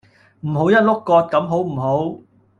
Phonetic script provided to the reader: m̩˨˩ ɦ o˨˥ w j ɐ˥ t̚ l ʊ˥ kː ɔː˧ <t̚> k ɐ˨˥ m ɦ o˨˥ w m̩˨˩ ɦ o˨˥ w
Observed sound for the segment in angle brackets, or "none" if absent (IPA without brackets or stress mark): t̚